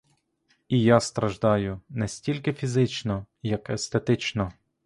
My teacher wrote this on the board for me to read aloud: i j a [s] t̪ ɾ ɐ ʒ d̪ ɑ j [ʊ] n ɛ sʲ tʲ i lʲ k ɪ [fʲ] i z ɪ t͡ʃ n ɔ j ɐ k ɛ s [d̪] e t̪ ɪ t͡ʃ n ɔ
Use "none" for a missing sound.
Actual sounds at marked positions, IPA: s, ʊ, fʲ, t̪

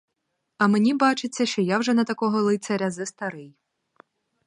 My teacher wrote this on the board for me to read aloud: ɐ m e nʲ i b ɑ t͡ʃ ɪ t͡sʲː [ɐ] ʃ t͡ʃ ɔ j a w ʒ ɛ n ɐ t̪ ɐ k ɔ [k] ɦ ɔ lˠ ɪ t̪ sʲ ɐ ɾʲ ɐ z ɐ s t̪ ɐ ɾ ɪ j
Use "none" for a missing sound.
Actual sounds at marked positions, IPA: ɐ, none

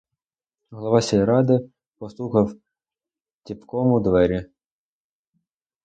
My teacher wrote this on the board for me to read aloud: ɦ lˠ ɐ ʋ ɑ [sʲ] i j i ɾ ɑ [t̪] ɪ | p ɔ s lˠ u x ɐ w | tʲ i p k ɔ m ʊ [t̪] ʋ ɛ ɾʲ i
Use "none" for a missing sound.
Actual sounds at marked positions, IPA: sʲ, d̪, d̪

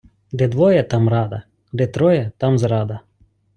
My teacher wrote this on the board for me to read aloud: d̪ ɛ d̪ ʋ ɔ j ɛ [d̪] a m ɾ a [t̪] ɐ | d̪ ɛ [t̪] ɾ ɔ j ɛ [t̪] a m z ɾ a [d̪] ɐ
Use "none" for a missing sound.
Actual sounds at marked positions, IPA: t̪, d̪, t̪, t̪, d̪

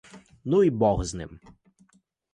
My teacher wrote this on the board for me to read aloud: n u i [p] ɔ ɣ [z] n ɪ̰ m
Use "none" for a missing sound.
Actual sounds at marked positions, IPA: b, z

